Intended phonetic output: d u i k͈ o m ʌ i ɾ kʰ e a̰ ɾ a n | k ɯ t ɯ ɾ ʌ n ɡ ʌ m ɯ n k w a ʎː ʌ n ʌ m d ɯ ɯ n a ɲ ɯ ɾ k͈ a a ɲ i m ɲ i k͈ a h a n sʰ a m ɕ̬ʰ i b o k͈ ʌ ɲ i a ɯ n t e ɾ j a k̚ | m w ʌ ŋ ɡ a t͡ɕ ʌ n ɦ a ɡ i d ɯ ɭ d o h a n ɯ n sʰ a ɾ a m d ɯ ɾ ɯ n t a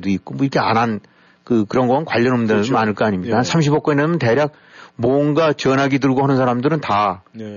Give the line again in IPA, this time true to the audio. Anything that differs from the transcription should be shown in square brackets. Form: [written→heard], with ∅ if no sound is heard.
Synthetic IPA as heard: d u i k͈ o m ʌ i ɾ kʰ e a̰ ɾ a n | k ɯ [t→k] ɯ ɾ ʌ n ɡ ʌ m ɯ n k w a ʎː ʌ n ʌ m d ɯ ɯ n a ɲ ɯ [ɾ→ɭ] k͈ a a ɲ i m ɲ i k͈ a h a n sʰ a m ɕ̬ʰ i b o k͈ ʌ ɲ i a ɯ n t e ɾ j a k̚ | m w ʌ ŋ ɡ a t͡ɕ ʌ n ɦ a ɡ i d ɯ ɭ [d→ɡ] o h a n ɯ n sʰ a ɾ a m d ɯ ɾ ɯ n t a